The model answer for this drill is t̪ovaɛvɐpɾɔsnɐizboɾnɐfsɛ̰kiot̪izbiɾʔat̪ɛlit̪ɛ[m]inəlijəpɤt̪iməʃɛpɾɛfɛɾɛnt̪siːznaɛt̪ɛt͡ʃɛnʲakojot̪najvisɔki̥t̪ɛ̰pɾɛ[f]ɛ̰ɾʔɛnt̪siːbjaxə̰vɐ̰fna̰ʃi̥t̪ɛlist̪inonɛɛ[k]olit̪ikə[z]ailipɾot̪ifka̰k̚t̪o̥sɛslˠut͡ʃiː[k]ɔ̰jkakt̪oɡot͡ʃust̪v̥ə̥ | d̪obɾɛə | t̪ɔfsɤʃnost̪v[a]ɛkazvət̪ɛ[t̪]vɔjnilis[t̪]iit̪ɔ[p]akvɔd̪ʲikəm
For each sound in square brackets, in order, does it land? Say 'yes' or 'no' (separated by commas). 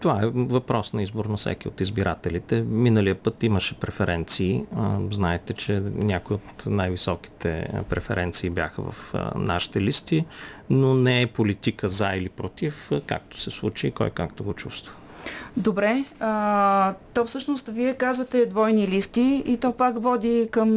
yes, yes, no, yes, yes, no, no, yes, yes